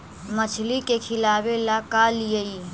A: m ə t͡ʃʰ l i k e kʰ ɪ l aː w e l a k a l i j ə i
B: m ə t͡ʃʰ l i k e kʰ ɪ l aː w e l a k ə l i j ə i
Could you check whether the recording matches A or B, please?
A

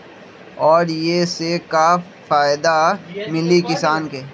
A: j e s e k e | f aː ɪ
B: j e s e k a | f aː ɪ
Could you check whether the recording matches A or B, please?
B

